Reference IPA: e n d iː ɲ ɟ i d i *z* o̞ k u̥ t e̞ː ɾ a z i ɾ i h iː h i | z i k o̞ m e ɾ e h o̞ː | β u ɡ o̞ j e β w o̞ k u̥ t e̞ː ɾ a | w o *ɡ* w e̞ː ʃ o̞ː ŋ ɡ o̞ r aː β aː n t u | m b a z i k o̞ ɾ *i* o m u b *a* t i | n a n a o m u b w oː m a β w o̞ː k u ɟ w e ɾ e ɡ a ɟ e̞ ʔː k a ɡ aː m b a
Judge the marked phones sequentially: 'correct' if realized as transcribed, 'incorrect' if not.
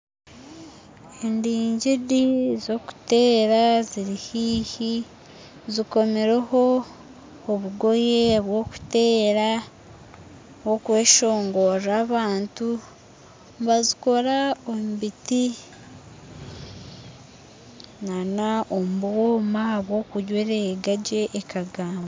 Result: correct, incorrect, incorrect, incorrect

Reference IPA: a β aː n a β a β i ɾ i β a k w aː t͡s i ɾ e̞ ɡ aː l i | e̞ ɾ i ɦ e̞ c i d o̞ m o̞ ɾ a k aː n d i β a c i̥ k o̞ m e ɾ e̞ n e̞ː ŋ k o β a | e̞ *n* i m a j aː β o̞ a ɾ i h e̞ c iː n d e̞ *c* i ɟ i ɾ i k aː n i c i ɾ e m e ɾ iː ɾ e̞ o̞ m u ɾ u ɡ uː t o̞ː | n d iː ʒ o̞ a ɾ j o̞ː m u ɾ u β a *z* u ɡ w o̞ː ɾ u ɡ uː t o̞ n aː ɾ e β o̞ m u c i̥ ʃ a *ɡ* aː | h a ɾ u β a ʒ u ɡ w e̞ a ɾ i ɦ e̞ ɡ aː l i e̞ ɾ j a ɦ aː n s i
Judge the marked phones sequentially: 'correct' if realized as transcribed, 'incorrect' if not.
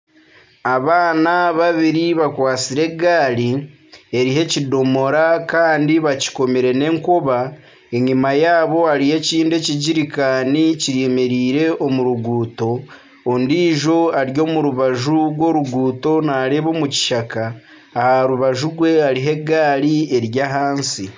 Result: incorrect, correct, incorrect, incorrect

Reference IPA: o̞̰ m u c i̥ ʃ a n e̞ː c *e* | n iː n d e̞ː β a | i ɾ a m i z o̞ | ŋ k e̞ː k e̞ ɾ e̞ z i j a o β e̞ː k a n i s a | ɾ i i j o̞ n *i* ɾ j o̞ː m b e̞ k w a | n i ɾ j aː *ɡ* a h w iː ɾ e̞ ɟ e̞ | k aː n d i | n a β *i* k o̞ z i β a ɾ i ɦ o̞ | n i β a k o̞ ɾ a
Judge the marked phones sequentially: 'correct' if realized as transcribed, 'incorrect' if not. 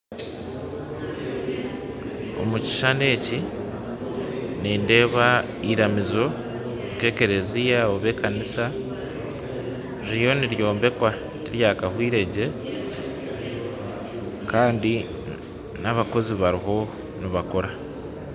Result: incorrect, correct, incorrect, incorrect

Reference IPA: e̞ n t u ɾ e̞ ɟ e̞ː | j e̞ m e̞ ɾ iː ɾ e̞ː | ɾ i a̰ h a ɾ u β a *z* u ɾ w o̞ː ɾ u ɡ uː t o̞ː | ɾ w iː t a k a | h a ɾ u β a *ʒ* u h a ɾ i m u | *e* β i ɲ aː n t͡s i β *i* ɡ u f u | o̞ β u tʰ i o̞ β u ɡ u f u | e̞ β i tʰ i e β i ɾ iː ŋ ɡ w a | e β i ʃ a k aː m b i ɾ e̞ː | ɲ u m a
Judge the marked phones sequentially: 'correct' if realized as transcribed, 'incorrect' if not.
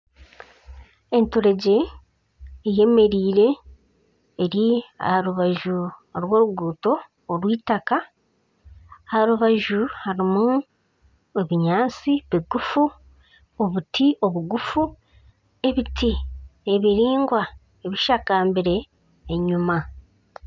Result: incorrect, correct, correct, correct

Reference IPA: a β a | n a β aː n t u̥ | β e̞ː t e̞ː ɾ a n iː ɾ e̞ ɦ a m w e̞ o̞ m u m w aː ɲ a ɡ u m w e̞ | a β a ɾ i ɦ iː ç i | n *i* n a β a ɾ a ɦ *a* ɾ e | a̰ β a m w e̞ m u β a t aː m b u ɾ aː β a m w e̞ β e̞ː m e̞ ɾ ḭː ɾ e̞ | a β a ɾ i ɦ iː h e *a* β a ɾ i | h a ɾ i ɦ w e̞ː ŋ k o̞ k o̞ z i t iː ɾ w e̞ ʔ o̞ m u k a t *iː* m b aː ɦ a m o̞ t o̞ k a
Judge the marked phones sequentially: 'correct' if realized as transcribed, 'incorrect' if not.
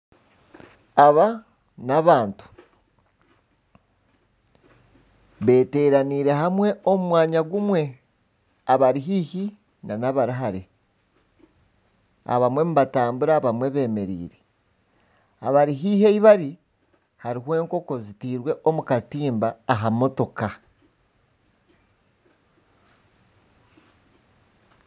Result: incorrect, correct, incorrect, correct

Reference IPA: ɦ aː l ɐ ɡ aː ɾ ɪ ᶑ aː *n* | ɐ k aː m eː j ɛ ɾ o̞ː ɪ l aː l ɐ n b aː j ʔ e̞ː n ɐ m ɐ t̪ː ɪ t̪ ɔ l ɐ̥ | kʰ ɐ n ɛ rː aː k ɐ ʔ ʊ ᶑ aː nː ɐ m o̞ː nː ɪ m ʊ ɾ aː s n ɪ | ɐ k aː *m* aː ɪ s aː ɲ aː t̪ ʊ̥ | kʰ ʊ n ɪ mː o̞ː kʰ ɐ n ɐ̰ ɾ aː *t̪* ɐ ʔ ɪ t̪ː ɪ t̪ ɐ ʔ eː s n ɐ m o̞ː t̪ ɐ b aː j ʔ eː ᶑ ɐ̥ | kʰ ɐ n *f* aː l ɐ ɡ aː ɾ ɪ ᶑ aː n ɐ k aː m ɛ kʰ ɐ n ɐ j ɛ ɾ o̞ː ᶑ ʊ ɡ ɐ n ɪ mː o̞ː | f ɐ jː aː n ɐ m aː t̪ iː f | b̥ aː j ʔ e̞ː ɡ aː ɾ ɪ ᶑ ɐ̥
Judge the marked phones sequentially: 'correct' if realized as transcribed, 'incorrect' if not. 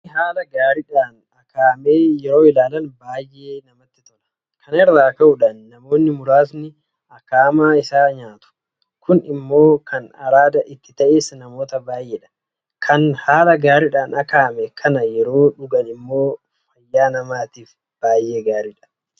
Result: correct, correct, incorrect, incorrect

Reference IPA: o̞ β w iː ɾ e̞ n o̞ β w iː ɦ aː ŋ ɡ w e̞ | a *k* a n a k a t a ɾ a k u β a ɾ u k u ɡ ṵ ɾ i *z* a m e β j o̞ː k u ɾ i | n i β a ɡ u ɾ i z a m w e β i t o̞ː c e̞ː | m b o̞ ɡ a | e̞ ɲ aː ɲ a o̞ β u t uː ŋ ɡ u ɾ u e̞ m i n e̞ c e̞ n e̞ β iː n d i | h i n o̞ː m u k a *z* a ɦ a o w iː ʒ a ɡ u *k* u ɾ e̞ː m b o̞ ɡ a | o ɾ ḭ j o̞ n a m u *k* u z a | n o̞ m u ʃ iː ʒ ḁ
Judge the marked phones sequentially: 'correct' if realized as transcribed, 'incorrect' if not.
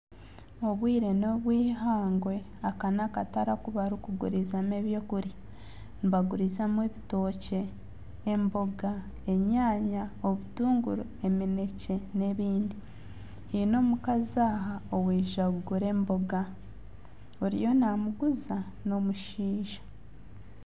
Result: correct, correct, correct, incorrect, incorrect

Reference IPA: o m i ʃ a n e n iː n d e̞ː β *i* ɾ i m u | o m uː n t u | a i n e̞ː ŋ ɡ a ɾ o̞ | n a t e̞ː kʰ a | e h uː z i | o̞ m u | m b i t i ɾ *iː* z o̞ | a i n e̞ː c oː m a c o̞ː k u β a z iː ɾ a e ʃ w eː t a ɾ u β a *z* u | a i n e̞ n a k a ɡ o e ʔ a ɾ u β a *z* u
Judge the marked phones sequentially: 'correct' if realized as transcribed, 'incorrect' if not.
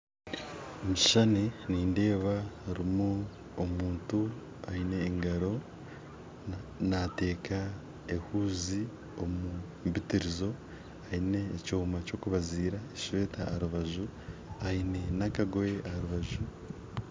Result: incorrect, incorrect, incorrect, incorrect

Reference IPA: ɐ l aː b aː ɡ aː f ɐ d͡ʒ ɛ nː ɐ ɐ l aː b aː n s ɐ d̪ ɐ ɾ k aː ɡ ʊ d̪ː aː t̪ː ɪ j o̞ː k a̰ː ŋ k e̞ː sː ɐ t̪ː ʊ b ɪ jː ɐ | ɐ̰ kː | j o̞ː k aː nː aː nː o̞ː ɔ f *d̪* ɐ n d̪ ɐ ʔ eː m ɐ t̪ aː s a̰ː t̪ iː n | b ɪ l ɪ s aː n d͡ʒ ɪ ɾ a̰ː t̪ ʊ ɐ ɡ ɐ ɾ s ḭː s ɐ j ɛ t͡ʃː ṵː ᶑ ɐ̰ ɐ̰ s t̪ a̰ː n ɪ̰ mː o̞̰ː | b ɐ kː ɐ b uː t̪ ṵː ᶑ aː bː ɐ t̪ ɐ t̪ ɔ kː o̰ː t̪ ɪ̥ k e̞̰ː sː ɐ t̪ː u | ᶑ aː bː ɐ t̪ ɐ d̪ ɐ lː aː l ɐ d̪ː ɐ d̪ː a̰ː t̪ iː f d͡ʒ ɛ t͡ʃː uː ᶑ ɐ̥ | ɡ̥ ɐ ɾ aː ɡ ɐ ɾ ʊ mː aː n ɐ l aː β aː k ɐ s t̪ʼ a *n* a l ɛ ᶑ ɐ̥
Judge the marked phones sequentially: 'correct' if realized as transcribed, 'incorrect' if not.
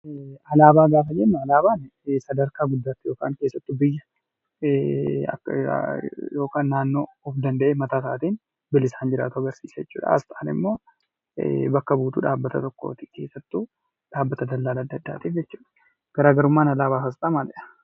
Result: correct, incorrect

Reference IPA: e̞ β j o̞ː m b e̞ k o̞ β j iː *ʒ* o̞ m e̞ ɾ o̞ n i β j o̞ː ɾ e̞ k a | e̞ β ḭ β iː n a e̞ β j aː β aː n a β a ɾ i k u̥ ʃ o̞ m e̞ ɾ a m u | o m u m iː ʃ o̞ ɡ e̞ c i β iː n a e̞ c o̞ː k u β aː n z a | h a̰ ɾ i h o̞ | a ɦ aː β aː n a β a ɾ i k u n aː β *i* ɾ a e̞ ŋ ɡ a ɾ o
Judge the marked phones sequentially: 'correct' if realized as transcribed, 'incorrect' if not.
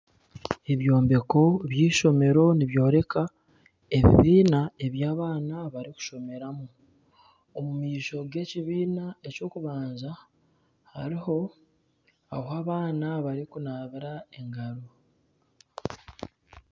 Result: incorrect, correct

